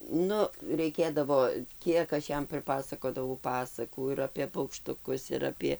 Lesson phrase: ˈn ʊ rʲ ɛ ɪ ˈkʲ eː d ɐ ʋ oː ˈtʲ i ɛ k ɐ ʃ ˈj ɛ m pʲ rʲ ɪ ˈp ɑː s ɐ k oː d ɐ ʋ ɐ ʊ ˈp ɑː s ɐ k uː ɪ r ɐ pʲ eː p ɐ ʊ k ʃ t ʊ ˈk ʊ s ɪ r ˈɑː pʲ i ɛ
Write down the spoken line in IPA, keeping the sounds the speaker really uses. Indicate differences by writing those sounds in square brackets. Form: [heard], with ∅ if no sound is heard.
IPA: ˈn ʊ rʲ ɛ ɪ ˈkʲ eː d ɐ ʋ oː [ˈkʲ] i ɛ k ɐ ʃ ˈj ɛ m pʲ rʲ ɪ ˈp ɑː s ɐ k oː d ɐ ʋ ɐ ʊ ˈp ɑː s ɐ k uː ɪ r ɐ pʲ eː p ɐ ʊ k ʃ t ʊ ˈk ʊ s ɪ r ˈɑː pʲ i ɛ

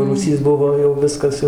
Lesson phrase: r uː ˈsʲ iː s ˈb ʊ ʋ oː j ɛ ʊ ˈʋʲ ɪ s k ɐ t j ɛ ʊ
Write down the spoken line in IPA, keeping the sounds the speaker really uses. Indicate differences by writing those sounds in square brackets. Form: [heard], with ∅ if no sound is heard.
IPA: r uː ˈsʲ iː s ˈb ʊ ʋ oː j ɛ ʊ ˈʋʲ ɪ s k ɐ [s] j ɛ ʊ

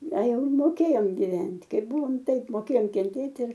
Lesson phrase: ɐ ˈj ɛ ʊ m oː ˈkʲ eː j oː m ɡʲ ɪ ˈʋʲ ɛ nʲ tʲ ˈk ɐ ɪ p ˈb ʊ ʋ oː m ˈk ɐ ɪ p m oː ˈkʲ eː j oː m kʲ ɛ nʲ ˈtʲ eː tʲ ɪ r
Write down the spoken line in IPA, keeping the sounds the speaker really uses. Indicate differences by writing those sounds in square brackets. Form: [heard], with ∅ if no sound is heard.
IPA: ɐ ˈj ɛ ʊ m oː ˈkʲ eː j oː m ɡʲ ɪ ˈʋʲ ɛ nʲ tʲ ˈk ɐ ɪ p ˈb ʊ ʋ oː m [ˈt] ɐ ɪ p m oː ˈkʲ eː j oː m kʲ ɛ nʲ ˈtʲ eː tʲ ɪ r

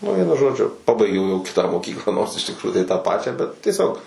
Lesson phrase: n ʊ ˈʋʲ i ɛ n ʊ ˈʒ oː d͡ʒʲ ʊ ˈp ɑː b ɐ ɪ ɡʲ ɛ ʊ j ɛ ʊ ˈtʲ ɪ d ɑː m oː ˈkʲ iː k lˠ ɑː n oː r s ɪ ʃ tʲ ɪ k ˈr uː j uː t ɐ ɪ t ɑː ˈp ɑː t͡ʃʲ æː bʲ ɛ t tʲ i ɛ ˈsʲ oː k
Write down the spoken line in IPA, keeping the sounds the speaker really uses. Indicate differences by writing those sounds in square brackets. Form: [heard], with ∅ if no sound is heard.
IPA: n ʊ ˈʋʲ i ɛ n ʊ ˈʒ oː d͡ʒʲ ʊ ˈp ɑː b ɐ ɪ ɡʲ ɛ ʊ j ɛ ʊ [ˈkʲ] ɪ [t] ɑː m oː ˈkʲ iː k lˠ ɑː n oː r s ɪ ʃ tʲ ɪ k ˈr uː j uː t ɐ ɪ t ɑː ˈp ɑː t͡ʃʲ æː bʲ ɛ t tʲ i ɛ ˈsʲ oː k

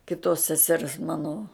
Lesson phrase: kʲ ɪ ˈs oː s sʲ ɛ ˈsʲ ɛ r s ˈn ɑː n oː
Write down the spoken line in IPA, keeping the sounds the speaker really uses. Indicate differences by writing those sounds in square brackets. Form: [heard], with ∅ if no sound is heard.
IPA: kʲ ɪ [ˈt] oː s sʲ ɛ ˈsʲ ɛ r s [ˈm] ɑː n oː

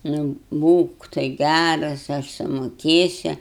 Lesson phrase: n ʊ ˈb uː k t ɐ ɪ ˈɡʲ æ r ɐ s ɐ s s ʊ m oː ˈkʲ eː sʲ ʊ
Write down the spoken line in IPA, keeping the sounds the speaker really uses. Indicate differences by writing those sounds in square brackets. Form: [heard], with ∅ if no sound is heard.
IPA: n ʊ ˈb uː k t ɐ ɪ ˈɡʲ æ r ɐ s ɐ [ʃ] s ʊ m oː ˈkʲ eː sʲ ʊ

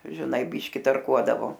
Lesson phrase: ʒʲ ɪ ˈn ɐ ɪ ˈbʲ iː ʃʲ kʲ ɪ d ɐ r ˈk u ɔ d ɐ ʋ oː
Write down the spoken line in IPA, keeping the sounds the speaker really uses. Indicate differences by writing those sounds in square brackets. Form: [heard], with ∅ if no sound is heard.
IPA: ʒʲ ɪ ˈn ɐ ɪ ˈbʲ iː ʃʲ kʲ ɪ [t] ɐ r ˈk u ɔ d ɐ ʋ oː

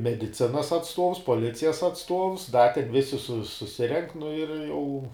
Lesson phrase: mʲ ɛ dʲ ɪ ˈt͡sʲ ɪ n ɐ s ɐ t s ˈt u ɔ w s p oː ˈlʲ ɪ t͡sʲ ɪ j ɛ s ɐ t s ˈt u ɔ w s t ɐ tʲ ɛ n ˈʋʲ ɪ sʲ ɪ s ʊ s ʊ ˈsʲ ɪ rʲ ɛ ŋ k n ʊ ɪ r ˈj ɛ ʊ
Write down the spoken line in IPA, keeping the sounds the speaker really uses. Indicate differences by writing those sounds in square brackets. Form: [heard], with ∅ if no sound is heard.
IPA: mʲ ɛ dʲ ɪ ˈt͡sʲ ɪ n ɐ s ɐ t s ˈt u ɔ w s p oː ˈlʲ ɪ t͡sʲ ɪ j ɛ s ɐ t s ˈt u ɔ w s [d] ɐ tʲ ɛ n ˈʋʲ ɪ sʲ ɪ s ʊ s ʊ ˈsʲ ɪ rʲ ɛ ŋ k n ʊ ɪ r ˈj ɛ ʊ

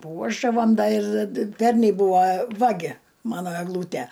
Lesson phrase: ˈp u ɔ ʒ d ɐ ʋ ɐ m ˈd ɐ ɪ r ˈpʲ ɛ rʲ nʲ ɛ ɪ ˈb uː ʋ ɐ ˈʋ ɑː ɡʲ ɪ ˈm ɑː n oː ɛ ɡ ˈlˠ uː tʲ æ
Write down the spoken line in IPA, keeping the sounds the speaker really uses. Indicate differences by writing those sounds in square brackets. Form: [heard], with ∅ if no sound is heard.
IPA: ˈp u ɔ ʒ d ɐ ʋ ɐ m ˈd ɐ ɪ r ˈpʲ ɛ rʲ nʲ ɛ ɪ ˈb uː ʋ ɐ ˈʋ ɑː ɡʲ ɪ ˈm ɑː n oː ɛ ɡ ˈlˠ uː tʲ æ

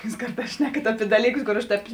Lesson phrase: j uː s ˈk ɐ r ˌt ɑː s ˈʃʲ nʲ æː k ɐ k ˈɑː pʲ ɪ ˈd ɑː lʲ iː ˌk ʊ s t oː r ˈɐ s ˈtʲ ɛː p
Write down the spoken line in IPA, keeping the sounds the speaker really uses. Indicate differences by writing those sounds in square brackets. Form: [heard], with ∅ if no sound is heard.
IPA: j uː s ˈk ɐ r ˌt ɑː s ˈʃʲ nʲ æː k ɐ [t] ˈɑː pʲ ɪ ˈd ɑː lʲ iː ˌk ʊ s [k] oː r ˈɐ [ʃ] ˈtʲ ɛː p

